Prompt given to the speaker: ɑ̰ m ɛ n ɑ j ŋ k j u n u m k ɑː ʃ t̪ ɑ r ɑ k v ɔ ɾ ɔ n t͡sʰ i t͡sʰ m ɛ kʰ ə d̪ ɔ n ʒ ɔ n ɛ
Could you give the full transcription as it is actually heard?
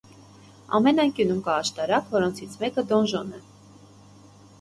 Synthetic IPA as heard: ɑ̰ m ɛ n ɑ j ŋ k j u n u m k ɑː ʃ t̪ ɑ ɾ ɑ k v ɔ ɾ ɔ n t͡sʰ i t͡sʰ m ɛ k ə d̪ ɔ n ʒ ɔ n ɛ